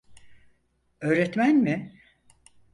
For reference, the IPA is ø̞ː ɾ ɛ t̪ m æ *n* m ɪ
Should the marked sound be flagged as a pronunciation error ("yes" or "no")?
no